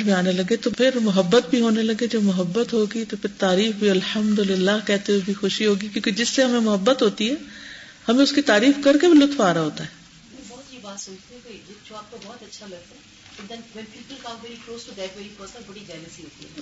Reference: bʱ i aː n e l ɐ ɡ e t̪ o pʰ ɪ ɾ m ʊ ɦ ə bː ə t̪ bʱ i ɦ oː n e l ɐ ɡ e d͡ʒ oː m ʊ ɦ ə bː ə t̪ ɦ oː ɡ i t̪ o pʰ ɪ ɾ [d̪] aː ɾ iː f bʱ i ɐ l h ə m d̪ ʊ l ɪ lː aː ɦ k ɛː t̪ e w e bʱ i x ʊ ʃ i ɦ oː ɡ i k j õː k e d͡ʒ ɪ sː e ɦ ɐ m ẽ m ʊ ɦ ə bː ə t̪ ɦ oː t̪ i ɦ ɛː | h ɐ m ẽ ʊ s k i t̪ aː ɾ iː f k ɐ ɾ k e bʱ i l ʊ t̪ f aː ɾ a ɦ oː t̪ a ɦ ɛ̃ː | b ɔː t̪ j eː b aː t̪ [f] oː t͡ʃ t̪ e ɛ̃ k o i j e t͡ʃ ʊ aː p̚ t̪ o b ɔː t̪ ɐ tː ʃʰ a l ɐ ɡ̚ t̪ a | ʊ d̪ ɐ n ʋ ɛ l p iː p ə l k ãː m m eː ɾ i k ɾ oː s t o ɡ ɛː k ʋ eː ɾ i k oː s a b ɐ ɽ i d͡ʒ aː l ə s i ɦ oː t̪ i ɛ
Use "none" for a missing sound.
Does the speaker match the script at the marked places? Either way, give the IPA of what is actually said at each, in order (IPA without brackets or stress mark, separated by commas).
t̪, s